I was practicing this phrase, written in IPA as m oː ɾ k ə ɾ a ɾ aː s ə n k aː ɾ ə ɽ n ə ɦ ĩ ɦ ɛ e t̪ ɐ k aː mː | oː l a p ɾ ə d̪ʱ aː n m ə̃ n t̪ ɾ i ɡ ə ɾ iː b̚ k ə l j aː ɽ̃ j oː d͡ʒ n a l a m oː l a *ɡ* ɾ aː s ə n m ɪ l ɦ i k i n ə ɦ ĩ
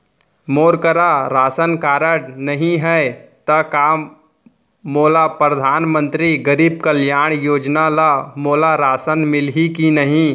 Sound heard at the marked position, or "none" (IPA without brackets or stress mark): none